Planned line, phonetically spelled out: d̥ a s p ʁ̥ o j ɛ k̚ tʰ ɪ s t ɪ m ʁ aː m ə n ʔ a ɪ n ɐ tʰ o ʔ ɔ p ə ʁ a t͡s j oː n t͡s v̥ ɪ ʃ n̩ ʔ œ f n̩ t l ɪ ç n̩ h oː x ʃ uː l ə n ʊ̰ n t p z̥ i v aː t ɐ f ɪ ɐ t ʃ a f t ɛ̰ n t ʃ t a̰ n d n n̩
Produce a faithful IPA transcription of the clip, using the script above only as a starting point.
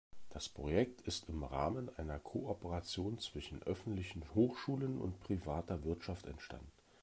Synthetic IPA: d̥ a s p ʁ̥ o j ɛ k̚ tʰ ɪ s t ɪ m ʁ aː m ə n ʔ a ɪ n ɐ kʰ o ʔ ɔ p ə ʁ a t͡s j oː n t͡s v̥ ɪ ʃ n̩ ʔ œ f n̩ t l ɪ ç n̩ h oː x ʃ uː l ə n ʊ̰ n t p ʁ̥ i v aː t ɐ v ɪ ɐ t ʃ a f t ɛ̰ n t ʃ t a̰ n d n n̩